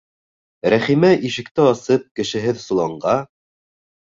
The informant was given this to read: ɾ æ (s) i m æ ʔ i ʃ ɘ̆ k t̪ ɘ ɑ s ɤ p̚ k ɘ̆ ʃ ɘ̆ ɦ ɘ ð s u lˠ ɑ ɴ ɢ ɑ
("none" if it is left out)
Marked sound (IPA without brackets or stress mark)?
χ